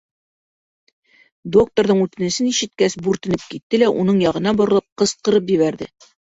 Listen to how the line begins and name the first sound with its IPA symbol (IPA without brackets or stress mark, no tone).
d̪